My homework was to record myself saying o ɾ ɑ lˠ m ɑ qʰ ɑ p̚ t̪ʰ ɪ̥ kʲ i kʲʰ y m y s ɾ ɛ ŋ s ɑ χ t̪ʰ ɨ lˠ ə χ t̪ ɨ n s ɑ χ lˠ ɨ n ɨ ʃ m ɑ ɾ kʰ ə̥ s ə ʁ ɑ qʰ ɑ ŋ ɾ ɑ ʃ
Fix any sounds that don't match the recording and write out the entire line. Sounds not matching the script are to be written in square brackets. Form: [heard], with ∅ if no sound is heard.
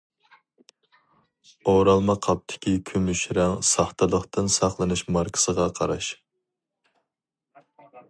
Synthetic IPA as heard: o ɾ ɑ lˠ m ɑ qʰ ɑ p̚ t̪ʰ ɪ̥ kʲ i kʲʰ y m y [ʃ] ɾ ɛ ŋ s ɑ χ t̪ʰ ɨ lˠ ə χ t̪ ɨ n s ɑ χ lˠ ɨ n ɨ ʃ m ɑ ɾ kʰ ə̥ s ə ʁ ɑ qʰ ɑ [∅] ɾ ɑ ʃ